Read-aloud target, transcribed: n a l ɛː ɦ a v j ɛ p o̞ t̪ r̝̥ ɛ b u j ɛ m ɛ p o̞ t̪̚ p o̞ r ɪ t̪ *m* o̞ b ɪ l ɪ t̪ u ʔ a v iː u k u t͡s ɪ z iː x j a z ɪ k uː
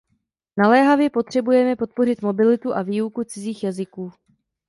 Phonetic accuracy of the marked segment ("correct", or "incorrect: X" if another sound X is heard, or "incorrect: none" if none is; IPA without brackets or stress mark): correct